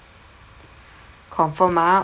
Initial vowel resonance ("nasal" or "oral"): oral